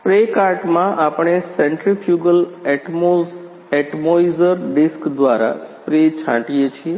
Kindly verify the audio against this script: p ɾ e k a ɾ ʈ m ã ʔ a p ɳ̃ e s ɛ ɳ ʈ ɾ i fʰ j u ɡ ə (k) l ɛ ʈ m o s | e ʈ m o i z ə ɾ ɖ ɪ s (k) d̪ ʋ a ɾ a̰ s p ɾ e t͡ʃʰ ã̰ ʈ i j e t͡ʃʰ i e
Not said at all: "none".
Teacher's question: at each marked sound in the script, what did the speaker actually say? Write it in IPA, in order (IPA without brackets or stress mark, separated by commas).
none, k